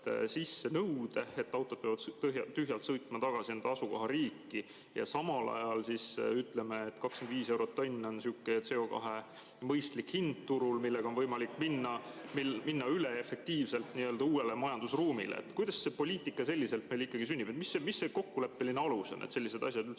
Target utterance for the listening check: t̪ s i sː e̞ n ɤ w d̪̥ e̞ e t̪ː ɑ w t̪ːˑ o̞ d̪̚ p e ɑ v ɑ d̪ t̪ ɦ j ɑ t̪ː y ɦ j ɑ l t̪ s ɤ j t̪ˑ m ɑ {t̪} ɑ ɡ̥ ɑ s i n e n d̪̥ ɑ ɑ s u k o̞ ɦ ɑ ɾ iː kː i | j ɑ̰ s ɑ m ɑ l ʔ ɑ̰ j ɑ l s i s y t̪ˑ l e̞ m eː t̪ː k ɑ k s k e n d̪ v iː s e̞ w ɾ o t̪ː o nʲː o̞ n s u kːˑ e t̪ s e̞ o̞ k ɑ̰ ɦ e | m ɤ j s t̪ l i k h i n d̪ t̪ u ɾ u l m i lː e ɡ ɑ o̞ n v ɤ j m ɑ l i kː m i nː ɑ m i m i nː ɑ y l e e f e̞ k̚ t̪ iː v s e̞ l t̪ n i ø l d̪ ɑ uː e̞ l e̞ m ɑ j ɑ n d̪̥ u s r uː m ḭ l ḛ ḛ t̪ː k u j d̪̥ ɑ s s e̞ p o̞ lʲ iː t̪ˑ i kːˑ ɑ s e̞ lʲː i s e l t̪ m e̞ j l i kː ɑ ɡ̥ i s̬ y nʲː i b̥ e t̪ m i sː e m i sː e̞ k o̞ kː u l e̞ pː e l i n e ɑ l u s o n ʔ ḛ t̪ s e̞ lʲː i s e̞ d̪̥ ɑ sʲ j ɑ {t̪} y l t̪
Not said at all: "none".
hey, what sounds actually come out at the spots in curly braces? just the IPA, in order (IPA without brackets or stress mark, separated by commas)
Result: t̪, d̪